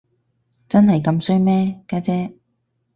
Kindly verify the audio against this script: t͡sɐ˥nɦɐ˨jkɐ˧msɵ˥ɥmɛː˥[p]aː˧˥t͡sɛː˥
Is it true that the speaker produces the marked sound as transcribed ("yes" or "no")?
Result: no